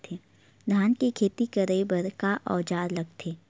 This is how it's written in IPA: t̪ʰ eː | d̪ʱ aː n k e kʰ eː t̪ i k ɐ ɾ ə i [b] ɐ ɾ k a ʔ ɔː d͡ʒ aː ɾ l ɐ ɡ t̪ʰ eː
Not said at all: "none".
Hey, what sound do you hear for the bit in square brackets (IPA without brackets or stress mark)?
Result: b